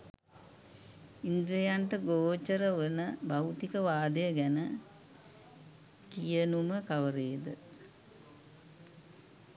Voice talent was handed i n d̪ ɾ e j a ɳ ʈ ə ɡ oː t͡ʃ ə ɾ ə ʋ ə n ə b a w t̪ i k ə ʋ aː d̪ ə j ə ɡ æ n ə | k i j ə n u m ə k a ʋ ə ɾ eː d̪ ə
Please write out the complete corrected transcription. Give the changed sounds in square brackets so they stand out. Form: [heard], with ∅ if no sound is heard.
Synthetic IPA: i n d̪ ɾ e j a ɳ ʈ ə ɡ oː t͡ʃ ə ɾ ə ʋ ə n ə b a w t̪ i k ə ʋ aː d̪ ə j ə ɡ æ n ə | k i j ə n u m ə k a ʋ ə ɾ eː d̪ ə